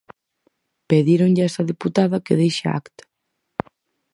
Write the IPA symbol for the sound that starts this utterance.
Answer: p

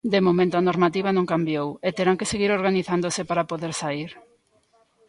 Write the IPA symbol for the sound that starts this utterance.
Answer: d̪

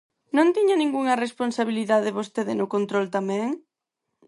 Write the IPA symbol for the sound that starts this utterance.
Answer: n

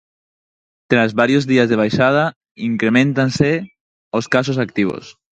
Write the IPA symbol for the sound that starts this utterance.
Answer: t̪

